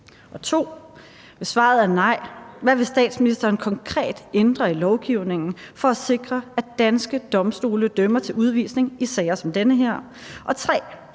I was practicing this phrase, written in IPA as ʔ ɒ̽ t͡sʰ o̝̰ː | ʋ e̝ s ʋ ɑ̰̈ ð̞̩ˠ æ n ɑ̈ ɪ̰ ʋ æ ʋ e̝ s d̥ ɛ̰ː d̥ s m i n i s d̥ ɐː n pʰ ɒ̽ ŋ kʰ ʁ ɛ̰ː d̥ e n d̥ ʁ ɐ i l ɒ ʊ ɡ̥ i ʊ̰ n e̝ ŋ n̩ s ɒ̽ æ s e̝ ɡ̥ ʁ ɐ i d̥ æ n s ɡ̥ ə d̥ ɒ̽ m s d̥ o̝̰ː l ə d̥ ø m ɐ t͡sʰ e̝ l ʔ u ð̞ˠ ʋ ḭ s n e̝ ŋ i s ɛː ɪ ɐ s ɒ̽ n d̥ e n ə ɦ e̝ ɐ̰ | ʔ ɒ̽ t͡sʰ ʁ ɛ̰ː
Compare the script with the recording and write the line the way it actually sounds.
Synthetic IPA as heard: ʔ ɒ̽ t͡sʰ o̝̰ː | ʋ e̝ s ʋ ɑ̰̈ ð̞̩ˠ æ n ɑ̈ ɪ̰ ʋ æ ʋ e̝ s d̥ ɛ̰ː d̥ s m i n i s d̥ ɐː n kʰ ɒ̽ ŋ kʰ ʁ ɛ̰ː d̥ e n d̥ ʁ ɐ i l ɒ ʊ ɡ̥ i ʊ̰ n e̝ ŋ n̩ f ɒ̽ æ s e̝ ɡ̥ ʁ ɐ æ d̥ æ n s ɡ̥ ə d̥ ɒ̽ m s d̥ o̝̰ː l ə d̥ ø m ɐ t͡sʰ e̝ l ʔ u ð̞ˠ ʋ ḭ s n e̝ ŋ i s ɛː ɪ ɐ s ɒ̽ m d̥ e n ə ɦ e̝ ɐ̰ | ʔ ɒ̽ t͡sʰ ʁ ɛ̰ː

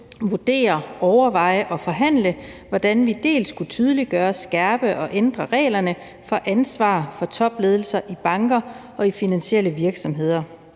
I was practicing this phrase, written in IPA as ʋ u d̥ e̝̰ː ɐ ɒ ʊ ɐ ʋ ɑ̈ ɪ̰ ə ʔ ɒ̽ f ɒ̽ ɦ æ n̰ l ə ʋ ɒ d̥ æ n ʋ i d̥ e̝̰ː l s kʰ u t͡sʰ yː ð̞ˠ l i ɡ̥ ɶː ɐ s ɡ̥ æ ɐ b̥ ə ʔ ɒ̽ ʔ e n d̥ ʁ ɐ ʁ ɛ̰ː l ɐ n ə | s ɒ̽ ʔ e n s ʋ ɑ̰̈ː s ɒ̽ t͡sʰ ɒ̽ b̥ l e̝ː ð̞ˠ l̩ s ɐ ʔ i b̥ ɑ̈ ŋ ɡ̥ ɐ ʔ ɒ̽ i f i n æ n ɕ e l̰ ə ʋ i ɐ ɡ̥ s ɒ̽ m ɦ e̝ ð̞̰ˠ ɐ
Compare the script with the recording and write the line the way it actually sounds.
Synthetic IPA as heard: ʋ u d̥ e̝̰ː ɐ ɒ ʊ ɐ ʋ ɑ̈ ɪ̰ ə ʔ ɒ̽ f ɒ̽ ɦ æ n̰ l ə ʋ ɒ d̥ æ n ʋ i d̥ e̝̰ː l s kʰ u t͡sʰ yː ð̞ˠ l i ɡ̥ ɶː ɐ s ɡ̥ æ ɐ b̥ ə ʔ ɒ̽ ʔ e n d̥ ʁ ɐ ʁ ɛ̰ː l ɐ n ə | f ɒ̽ ʔ æ n s ʋ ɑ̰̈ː f ɒ̽ t͡sʰ ɒ̽ b̥ l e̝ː ð̞ˠ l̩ s ɐ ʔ i b̥ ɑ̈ ŋ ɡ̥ ɐ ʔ ɒ̽ i f i n æ n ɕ e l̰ ə ʋ i ɐ ɡ̥ s ɒ̽ m ɦ e̝ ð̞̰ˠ ɐ

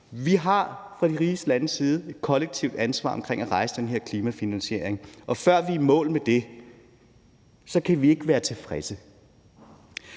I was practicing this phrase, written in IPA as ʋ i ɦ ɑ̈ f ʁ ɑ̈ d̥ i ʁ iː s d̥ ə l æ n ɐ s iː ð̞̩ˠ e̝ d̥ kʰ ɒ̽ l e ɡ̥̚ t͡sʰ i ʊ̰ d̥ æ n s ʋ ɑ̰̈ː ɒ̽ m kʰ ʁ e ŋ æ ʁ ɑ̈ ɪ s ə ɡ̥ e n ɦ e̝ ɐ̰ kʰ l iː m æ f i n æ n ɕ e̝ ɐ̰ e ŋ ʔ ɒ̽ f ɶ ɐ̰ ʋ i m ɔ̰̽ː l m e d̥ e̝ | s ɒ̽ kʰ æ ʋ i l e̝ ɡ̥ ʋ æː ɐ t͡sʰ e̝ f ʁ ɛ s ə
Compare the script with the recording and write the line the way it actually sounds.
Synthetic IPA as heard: ʋ i ɦ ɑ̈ f ʁ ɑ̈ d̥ i ʁ iː s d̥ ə l æ n ə s iː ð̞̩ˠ e̝ d̥ kʰ ɒ̽ l e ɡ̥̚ t͡sʰ i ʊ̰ d̥ æ n s ʋ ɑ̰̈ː ɒ̽ m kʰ ʁ e ŋ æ ʁ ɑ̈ ɪ s ə d̥ e n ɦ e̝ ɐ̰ kʰ l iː m æ f i n æ n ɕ e̝ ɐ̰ e ŋ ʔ ɒ̽ f ɶ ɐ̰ ʋ i m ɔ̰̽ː l m e d̥ e̝ | s ɒ̽ kʰ æ ʋ i e̝ ɡ̥ ʋ æː ɐ t͡sʰ e̝ f ʁ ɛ s ə

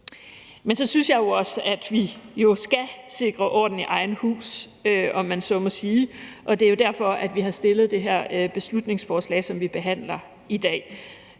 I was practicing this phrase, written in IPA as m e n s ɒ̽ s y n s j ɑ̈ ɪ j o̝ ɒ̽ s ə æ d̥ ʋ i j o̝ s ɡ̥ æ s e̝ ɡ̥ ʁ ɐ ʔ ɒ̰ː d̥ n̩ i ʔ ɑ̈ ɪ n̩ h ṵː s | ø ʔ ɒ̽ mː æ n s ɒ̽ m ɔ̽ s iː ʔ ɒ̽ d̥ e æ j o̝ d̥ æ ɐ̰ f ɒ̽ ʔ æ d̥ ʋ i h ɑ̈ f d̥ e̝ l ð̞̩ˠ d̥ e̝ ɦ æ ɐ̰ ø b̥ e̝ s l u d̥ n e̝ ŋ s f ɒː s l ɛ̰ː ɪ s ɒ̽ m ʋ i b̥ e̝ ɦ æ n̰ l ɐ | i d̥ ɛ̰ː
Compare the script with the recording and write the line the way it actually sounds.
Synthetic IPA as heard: m e n s ɒ̽ s y n s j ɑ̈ ɪ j o̝ ɒ̽ s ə æ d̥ ʋ i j o̝ s ɡ̥ æ s e̝ ɡ̥ ʁ ɐ ʔ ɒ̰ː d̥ n̩ i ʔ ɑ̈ ɪ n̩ h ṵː s | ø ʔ ɒ̽ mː æ n s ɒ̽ m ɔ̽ s iː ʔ ɒ̽ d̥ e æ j o̝ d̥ æ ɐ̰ f ɒ̽ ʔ æ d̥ ʋ i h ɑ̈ s d̥ e̝ l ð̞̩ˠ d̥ e̝ ɦ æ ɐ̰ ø b̥ e̝ s l u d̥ n e̝ ŋ s f ɒː s l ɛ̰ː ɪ s ɒ̽ m ʋ i b̥ e̝ ɦ æ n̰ l ɐ | i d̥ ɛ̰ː

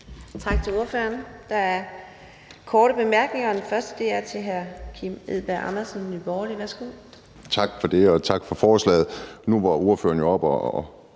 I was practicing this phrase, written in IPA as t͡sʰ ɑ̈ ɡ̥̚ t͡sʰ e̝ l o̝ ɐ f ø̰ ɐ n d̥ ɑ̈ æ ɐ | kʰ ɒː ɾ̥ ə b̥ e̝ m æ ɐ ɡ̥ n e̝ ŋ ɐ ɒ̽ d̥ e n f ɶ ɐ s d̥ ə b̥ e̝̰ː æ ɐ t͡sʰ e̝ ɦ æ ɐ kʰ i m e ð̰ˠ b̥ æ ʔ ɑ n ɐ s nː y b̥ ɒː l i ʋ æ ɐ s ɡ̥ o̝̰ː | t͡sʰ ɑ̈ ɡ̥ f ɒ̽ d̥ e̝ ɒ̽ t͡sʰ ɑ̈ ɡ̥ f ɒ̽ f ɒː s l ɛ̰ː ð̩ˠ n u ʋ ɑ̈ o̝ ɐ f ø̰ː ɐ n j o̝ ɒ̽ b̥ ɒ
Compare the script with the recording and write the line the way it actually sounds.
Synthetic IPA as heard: t͡sʰ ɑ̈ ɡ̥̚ t͡sʰ e̝ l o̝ ɐ f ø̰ ɐ n d̥ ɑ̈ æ ɐ | kʰ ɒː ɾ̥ ə b̥ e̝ m æ ɐ ɡ̥ n e̝ ŋ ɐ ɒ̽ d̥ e n f ɶ ɐ s d̥ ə d̥ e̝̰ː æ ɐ t͡sʰ e̝ ɦ æ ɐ kʰ i m e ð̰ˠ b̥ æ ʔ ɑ n ɐ s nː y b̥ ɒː l i ʋ æ ɐ s ɡ̥ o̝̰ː | t͡sʰ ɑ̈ ɡ̥ f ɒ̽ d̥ e̝ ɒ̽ t͡sʰ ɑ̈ ɡ̥ f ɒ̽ f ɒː s l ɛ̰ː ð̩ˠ n u ʋ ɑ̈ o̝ ɐ f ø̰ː ɐ n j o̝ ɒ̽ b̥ ɒ

